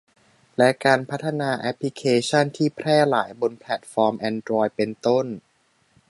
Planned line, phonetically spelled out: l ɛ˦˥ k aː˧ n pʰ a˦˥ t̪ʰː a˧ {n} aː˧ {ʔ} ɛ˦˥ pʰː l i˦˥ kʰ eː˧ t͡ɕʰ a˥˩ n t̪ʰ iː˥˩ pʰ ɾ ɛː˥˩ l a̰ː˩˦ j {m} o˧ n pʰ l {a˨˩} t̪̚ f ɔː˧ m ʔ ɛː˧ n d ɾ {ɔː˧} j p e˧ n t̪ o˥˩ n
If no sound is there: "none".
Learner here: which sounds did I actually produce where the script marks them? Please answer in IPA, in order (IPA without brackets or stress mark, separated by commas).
n, ʔ, b, ɛ˨˩, ɔː˧